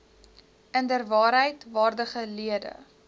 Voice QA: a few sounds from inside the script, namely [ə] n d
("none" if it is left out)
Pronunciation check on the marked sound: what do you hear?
ə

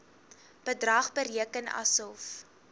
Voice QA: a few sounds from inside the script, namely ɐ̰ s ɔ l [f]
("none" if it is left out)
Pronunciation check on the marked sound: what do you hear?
f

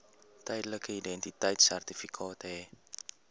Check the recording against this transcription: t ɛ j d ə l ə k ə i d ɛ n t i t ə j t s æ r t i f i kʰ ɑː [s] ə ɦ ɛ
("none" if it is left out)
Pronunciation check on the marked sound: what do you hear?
t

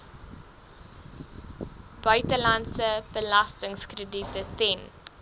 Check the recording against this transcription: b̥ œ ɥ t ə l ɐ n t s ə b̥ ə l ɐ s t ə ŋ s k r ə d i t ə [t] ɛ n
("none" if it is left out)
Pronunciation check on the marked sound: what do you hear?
t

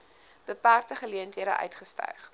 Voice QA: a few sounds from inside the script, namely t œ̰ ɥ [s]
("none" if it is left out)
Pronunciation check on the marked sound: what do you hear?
χ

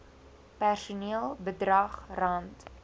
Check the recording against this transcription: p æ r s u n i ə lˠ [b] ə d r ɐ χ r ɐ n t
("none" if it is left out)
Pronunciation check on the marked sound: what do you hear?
b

